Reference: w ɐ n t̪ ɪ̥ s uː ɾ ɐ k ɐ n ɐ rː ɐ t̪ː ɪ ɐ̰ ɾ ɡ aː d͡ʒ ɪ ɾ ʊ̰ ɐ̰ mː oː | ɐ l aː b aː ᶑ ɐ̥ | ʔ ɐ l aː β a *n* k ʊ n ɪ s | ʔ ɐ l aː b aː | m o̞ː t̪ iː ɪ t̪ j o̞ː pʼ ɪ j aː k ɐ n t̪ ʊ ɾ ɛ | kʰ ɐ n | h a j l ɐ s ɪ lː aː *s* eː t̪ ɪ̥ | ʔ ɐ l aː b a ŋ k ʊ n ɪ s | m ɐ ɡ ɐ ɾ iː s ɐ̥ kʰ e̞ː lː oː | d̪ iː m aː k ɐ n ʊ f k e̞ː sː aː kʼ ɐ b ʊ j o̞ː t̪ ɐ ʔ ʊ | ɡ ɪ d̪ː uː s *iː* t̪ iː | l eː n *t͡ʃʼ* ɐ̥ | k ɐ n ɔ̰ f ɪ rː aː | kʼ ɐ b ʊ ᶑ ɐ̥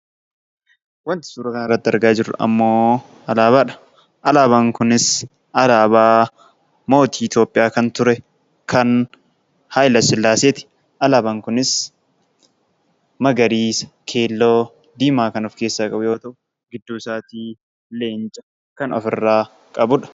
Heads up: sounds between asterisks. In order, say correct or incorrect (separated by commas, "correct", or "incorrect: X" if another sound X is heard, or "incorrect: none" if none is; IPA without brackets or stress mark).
incorrect: ŋ, correct, incorrect: aː, correct